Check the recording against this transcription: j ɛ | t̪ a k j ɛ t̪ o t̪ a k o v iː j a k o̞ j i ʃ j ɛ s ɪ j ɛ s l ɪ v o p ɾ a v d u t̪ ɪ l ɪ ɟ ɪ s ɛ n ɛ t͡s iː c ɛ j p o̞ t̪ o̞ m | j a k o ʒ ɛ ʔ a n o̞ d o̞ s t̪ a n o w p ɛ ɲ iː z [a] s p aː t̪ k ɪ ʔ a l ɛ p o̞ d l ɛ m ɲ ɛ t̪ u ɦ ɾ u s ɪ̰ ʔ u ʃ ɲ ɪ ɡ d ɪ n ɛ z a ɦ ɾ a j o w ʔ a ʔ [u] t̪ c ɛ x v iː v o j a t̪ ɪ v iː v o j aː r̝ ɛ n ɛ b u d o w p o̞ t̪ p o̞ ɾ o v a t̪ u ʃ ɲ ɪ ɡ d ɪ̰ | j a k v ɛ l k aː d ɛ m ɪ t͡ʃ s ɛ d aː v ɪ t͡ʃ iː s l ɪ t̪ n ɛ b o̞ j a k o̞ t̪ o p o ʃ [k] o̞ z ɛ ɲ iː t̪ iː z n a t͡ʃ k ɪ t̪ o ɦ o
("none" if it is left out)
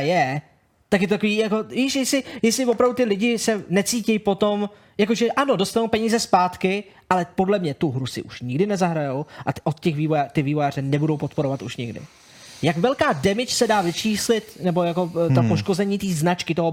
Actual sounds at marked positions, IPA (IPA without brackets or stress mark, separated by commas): ɛ, o, k